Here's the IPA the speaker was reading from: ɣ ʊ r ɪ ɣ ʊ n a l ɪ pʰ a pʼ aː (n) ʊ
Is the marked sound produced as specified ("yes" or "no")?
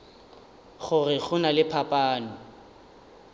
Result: yes